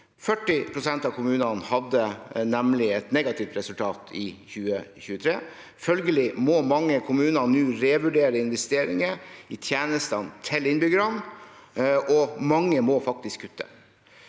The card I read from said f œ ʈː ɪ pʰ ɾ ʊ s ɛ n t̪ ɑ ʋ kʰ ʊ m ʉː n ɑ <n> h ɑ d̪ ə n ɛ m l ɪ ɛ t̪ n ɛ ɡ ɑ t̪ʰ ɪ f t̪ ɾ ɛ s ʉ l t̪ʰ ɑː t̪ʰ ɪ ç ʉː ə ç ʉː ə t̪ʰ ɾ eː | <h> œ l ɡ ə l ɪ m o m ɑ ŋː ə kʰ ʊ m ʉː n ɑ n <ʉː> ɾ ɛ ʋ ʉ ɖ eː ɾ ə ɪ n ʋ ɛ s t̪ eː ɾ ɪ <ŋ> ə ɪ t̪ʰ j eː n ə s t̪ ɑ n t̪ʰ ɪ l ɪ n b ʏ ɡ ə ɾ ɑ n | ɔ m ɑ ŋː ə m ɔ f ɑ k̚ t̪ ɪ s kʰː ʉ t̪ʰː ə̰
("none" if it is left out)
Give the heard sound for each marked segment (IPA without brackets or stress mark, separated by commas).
n, f, ʉː, ŋ